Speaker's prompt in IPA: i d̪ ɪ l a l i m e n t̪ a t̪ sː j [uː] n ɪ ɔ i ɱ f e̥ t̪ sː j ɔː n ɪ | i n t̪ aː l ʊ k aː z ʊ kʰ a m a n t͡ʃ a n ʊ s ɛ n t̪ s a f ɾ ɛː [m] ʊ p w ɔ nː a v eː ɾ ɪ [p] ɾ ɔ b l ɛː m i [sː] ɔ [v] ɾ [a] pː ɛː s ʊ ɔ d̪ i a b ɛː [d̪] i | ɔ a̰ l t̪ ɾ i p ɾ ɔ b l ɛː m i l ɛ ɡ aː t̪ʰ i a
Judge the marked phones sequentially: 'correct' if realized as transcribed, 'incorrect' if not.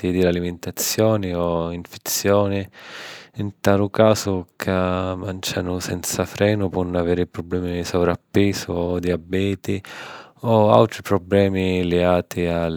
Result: incorrect, incorrect, correct, incorrect, correct, correct, incorrect

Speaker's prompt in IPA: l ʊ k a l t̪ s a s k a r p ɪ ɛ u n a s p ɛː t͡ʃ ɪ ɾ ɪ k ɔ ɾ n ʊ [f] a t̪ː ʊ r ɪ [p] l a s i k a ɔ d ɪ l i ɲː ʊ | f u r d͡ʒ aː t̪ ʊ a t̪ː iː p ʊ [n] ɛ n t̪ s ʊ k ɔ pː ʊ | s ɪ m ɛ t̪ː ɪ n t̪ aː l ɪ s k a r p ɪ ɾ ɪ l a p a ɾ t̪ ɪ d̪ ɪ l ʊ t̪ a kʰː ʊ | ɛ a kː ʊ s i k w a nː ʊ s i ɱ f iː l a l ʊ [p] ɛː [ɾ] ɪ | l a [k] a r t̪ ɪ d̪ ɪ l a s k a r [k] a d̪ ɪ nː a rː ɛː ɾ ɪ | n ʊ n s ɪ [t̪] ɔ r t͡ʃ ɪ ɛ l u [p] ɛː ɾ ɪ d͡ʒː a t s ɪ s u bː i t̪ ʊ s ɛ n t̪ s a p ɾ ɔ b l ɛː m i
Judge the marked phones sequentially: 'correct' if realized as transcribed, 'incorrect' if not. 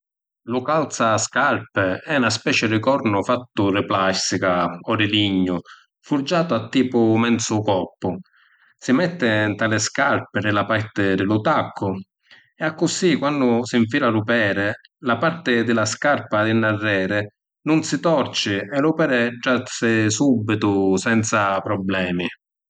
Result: correct, correct, incorrect, correct, correct, incorrect, incorrect, correct, correct

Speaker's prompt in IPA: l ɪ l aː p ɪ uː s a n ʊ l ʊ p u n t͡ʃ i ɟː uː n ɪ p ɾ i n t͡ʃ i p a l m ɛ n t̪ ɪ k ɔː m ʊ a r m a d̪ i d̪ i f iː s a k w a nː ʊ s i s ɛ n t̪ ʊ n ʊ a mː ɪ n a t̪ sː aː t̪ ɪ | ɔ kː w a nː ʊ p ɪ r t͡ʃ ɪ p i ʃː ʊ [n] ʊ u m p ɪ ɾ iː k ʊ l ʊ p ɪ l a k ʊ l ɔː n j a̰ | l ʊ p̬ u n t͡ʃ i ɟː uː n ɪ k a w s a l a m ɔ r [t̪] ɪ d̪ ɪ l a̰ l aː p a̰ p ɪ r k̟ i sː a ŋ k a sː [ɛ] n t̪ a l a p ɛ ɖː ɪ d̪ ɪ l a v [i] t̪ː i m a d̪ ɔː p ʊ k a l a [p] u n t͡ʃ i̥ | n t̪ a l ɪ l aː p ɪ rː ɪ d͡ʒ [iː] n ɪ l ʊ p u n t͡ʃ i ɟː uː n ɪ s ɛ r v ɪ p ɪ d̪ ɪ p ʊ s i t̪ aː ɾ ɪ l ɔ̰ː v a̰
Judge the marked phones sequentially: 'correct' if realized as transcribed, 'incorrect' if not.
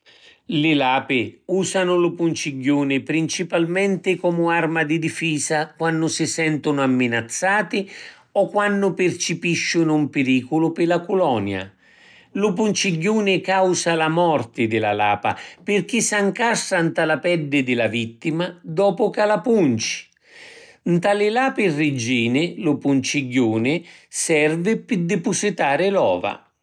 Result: correct, correct, incorrect, correct, correct, correct

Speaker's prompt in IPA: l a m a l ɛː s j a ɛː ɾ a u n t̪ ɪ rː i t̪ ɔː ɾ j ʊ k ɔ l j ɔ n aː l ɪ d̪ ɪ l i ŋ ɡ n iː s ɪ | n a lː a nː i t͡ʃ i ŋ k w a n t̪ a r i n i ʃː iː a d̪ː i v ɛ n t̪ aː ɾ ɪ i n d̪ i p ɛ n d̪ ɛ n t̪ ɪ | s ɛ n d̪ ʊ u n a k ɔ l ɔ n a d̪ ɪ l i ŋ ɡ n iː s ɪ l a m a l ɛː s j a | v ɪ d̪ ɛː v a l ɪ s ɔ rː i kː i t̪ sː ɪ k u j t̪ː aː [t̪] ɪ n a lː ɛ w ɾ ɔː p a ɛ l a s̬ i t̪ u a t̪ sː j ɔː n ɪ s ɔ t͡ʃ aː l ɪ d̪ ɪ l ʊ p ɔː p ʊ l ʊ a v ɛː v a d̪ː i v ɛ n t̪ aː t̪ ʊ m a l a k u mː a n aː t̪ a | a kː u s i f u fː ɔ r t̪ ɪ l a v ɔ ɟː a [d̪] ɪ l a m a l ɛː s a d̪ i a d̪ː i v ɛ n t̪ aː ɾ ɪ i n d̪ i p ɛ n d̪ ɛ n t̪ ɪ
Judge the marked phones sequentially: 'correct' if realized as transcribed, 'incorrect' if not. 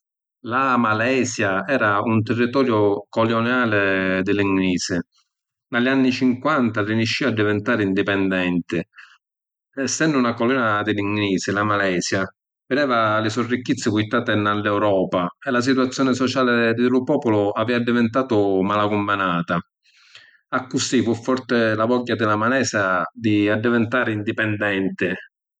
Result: correct, correct

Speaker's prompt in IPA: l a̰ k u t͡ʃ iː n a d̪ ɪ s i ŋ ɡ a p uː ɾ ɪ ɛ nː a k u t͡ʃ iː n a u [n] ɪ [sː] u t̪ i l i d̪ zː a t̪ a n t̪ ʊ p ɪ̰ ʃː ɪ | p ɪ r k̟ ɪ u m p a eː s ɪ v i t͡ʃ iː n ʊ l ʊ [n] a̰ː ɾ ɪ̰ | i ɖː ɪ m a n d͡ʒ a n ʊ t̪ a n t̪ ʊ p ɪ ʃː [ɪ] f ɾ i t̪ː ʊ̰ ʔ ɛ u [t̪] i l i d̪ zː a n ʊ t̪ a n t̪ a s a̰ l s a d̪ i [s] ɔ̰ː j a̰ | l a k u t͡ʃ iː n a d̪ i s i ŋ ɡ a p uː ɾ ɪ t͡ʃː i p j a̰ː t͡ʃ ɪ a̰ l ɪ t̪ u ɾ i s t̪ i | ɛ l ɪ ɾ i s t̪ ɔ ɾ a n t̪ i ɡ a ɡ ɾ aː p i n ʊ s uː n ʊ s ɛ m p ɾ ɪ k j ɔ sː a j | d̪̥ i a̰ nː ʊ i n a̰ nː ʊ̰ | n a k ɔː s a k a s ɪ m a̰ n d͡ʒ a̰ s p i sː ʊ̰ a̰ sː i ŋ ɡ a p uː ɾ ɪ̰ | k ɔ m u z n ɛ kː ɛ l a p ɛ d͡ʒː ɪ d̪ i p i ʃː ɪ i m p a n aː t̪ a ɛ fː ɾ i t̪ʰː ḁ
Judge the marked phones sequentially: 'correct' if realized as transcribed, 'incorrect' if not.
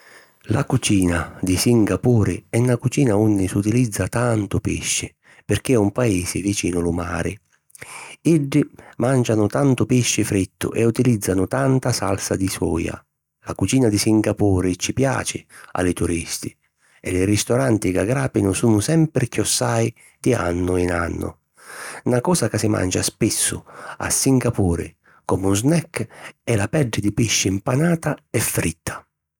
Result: incorrect, incorrect, incorrect, correct, correct, correct

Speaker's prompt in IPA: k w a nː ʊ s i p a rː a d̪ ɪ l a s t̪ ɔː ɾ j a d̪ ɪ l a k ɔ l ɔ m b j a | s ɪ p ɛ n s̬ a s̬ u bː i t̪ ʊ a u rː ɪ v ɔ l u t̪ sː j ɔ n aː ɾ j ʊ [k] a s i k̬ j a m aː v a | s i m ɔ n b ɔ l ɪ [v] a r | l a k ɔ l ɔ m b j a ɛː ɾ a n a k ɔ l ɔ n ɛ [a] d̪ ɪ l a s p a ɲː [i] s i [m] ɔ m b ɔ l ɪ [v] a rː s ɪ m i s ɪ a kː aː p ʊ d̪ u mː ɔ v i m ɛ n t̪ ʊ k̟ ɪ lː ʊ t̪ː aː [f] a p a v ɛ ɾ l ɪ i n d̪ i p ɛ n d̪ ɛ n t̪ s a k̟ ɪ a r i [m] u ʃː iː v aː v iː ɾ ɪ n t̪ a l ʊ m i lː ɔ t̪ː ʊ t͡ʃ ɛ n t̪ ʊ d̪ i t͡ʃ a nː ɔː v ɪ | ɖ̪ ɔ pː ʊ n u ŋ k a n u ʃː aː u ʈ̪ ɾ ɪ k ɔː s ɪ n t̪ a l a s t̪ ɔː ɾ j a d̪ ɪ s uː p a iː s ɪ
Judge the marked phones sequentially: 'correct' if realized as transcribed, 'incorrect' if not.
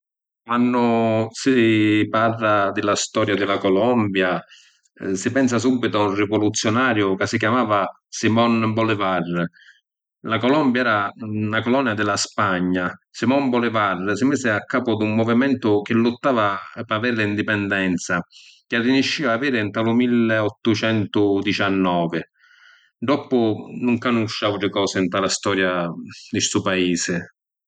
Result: correct, correct, correct, incorrect, correct, correct, incorrect, incorrect

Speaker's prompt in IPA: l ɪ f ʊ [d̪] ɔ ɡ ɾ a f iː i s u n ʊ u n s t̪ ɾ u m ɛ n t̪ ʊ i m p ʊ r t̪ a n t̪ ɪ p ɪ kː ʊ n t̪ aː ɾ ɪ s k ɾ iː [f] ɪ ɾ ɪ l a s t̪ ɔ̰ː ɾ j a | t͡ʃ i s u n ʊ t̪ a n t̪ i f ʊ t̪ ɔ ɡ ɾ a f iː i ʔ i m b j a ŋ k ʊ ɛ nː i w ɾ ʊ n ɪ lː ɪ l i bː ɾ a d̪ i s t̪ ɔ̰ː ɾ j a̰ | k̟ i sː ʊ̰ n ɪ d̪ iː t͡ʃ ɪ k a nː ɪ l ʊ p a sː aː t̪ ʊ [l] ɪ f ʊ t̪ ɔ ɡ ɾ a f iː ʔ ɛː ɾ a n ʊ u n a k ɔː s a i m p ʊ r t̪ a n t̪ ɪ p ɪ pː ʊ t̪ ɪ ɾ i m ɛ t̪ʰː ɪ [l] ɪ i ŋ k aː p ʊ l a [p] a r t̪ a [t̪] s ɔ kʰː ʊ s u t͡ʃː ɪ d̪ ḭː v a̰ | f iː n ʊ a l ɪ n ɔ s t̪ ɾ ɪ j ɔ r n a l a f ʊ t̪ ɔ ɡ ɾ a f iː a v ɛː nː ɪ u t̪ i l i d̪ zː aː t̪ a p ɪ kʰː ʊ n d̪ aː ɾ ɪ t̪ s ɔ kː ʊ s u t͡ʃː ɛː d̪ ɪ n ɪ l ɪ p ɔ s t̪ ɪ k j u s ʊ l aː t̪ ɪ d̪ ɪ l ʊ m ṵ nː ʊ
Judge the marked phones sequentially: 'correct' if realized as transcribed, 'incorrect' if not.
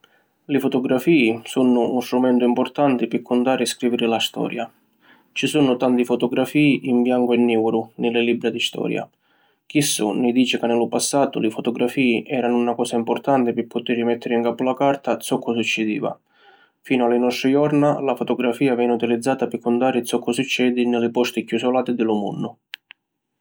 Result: incorrect, incorrect, correct, incorrect, incorrect, correct

